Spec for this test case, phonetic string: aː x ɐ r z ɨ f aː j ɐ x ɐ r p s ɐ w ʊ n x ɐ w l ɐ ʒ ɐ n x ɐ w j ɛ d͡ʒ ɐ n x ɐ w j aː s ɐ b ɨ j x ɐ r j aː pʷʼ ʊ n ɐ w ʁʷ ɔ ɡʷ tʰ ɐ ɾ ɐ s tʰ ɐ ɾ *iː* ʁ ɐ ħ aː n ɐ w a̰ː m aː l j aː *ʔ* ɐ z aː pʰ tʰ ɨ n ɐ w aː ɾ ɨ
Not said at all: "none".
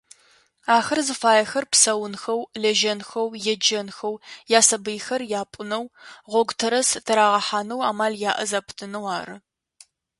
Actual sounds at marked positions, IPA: aː, ʔ

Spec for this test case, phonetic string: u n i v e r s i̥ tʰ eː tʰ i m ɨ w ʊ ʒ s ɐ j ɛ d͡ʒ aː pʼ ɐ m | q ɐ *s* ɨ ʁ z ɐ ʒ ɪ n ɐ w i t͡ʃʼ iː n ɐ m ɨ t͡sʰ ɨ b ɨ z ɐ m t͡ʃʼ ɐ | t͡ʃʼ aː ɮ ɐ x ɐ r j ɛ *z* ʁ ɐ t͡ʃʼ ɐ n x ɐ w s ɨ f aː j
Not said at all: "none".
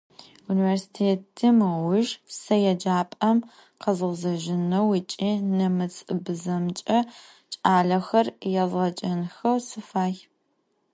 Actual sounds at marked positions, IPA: z, z

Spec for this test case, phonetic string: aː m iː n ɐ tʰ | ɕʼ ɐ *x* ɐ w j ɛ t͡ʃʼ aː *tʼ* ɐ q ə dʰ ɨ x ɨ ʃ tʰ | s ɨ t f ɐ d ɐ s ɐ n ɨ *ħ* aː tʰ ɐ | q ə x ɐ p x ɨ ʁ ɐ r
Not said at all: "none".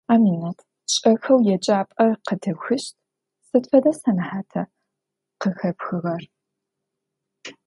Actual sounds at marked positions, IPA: x, pʼ, ħ

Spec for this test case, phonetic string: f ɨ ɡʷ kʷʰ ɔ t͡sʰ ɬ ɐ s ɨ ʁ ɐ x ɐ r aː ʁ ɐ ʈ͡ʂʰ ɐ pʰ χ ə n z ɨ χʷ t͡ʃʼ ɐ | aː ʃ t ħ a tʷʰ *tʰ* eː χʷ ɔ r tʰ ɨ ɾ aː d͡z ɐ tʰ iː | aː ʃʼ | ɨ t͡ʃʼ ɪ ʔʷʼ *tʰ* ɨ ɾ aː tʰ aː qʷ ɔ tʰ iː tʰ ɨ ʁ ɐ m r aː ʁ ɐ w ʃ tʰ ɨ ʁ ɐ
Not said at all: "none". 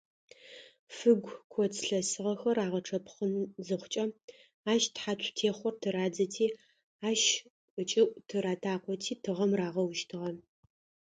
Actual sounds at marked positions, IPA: tʰ, tʰ

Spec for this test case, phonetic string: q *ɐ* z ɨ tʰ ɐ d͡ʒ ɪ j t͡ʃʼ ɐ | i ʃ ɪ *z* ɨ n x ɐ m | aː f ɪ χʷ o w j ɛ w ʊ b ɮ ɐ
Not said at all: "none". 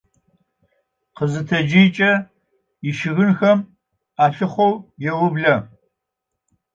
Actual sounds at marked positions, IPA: ə, ɣ

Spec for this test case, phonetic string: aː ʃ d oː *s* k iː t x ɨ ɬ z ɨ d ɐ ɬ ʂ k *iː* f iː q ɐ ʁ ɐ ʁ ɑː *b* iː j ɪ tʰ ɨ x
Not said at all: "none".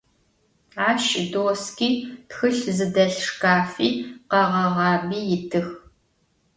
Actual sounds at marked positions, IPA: s, aː, b

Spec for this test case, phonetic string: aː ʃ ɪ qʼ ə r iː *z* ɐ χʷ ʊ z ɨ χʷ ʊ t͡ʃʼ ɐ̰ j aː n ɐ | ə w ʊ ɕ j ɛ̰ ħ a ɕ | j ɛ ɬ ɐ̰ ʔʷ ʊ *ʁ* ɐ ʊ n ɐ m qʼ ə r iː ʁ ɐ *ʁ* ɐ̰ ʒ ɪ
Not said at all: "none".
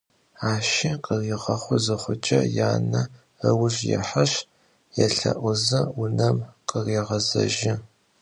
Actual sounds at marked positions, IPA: ʁ, z, z

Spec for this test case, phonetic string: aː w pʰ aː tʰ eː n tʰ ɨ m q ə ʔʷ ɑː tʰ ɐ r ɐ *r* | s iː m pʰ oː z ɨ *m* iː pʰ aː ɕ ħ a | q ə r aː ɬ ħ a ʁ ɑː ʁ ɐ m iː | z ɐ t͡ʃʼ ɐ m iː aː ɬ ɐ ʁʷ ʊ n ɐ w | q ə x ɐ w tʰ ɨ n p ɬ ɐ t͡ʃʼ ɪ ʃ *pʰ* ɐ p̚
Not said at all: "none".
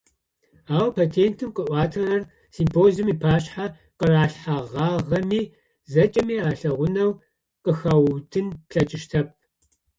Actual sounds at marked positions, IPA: r, m, tʰ

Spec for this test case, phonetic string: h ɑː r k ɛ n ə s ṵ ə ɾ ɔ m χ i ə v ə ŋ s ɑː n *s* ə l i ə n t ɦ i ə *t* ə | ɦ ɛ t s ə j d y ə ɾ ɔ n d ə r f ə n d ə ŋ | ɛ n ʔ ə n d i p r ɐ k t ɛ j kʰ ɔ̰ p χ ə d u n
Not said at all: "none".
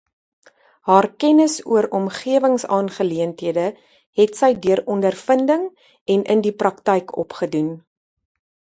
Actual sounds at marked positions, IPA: χ, d

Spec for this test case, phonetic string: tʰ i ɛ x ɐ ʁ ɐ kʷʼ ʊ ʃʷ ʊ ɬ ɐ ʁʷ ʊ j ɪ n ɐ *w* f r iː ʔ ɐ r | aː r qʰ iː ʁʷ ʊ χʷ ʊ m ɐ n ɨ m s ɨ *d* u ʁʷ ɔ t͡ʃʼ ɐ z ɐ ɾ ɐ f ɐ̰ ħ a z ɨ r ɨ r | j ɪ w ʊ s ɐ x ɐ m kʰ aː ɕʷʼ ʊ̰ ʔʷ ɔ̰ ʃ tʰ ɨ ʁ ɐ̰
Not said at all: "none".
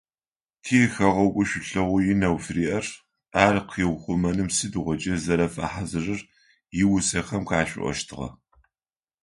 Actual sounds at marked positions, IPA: w, d

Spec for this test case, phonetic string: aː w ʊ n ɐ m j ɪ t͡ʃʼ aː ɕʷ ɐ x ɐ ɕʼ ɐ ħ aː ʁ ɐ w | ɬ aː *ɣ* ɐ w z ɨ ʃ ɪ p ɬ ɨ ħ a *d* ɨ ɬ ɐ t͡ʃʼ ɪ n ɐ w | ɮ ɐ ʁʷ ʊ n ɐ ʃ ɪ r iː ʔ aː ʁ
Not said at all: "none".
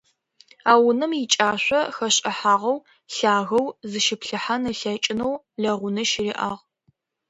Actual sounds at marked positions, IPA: ɣ, n

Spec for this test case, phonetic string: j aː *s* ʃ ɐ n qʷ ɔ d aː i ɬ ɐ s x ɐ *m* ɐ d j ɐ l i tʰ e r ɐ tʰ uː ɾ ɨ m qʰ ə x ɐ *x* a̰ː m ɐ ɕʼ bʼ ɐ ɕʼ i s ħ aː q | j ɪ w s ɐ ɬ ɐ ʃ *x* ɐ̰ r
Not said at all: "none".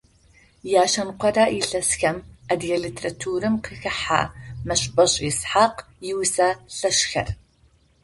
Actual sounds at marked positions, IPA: none, m, ħ, x

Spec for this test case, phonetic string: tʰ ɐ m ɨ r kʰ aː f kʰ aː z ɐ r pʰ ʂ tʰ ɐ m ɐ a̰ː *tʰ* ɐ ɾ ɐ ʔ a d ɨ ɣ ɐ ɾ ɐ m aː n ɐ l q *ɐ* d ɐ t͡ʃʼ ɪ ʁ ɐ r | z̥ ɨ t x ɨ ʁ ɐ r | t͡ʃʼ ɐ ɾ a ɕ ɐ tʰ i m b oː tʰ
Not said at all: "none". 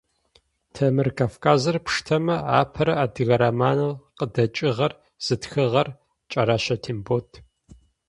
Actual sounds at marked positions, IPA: pʰ, ə

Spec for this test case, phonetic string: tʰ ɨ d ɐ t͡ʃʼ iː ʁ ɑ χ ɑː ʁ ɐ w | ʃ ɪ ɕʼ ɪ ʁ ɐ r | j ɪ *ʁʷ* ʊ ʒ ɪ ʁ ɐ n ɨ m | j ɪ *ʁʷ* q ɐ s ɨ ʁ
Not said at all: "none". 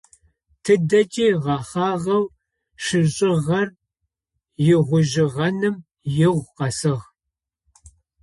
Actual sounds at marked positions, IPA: ʁʷ, ʁʷ

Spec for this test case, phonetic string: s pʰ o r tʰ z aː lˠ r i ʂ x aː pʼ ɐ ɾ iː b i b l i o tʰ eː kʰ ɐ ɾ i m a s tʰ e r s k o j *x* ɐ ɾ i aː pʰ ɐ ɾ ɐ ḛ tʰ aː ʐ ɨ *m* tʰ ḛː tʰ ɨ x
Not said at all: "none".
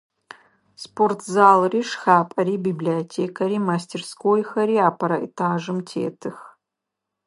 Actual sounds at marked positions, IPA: x, m

